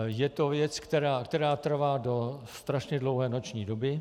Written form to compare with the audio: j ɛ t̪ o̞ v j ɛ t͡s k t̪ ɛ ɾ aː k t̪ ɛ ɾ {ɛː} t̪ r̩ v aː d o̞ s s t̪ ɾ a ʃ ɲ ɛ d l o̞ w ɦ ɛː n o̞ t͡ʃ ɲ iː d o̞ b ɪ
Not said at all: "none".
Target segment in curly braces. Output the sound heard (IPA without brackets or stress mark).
aː